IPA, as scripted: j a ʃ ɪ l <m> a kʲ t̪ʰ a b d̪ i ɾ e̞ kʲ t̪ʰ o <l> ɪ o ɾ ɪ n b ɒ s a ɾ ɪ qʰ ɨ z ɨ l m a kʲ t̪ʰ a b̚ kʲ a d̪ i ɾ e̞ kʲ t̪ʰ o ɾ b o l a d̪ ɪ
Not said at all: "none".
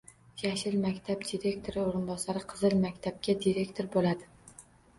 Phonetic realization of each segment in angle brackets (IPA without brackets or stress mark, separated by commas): m, ɾ